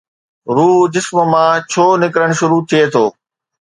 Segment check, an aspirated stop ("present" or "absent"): present